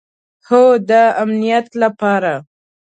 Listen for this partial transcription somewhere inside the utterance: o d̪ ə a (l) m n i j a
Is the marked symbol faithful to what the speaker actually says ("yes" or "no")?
no